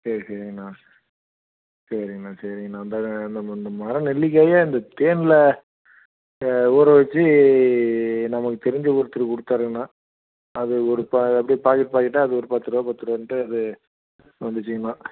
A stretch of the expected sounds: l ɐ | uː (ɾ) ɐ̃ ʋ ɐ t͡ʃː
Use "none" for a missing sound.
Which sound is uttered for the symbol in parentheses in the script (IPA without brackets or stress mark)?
ɾ